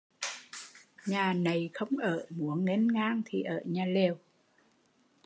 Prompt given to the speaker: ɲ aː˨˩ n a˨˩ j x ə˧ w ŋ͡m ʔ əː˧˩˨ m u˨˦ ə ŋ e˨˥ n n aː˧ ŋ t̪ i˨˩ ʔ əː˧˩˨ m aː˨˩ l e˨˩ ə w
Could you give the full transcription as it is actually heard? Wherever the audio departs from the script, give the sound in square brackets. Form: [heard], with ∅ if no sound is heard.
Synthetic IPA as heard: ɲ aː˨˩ n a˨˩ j x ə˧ w ŋ͡m ʔ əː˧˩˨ m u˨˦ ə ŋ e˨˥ n [ŋ] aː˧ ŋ [t̪ʰ] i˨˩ ʔ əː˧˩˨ [ɲ] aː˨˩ l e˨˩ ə w